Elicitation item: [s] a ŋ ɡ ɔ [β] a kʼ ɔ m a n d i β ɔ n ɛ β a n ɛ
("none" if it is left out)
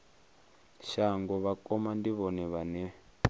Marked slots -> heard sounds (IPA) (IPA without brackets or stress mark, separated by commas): ʃ, β